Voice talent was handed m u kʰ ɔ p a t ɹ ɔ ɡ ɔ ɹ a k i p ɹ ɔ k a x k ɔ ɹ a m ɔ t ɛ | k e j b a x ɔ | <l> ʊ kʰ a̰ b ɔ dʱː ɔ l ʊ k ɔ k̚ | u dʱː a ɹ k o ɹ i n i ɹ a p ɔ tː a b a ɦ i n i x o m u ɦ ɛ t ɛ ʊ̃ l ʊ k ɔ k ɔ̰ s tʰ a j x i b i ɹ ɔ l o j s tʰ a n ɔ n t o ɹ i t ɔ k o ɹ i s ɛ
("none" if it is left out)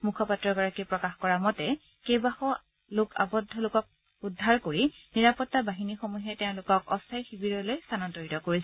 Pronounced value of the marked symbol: l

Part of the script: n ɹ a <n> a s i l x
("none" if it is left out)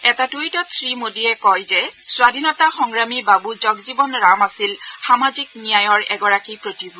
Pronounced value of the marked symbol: m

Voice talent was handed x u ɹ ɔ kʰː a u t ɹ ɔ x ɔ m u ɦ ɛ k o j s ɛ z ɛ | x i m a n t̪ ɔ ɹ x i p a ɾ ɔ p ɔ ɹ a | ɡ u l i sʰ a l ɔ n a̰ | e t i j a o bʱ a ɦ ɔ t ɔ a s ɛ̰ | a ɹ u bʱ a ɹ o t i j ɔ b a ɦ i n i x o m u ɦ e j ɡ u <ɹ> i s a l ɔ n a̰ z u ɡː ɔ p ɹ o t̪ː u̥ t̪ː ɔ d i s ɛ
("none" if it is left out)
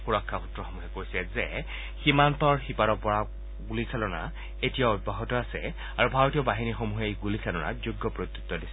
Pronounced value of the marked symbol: l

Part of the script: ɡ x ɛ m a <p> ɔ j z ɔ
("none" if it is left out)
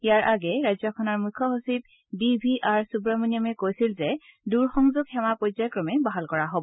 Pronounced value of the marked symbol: p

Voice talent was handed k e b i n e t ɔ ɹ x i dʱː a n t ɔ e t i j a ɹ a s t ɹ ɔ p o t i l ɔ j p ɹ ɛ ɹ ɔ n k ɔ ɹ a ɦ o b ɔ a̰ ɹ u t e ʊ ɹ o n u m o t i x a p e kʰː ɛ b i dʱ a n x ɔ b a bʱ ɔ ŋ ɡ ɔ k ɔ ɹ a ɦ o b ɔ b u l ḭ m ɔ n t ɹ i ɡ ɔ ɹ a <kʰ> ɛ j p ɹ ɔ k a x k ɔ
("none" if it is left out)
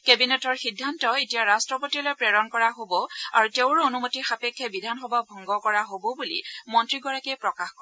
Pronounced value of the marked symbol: k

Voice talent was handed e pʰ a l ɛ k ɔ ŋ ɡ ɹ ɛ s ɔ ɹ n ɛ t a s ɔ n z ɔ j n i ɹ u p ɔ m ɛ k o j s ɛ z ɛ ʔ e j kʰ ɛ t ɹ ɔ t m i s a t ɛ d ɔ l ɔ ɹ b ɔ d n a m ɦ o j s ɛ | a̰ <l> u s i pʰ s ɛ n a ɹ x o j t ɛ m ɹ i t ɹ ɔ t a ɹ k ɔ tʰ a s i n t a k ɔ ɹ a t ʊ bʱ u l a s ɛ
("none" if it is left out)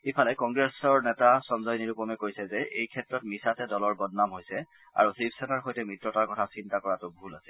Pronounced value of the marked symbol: ɹ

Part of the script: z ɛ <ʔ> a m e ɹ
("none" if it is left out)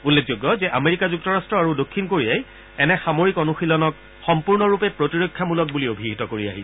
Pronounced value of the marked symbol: ʔ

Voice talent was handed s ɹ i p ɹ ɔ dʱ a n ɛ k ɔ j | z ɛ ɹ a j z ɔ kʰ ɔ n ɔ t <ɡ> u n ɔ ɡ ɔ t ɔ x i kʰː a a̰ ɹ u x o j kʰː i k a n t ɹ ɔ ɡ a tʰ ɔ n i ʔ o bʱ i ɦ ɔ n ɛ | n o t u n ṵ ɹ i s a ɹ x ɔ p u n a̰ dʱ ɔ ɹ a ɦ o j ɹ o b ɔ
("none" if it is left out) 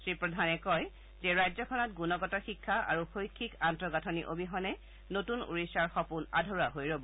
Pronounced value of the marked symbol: ɡ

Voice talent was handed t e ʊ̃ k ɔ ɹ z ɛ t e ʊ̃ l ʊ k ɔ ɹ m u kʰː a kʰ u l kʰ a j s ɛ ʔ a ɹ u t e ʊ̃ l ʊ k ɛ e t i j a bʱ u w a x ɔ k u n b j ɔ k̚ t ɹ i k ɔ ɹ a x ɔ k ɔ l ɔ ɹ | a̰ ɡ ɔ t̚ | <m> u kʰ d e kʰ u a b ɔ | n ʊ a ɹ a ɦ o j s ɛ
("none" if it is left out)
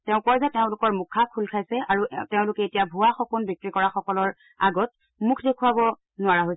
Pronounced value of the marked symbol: m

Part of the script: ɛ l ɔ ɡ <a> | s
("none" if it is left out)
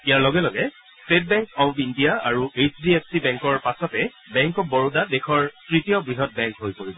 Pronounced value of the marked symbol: ɛ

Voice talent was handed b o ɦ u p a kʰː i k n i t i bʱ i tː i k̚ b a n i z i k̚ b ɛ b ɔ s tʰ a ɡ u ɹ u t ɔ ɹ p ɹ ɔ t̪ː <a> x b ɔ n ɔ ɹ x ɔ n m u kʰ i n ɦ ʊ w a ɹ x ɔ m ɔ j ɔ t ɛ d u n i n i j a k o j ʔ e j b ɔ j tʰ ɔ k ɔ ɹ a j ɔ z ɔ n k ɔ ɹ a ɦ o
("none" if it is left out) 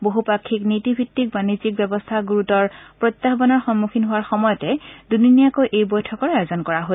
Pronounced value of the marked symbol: a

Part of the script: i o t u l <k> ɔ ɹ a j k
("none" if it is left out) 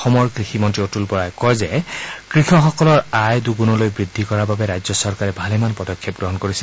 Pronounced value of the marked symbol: p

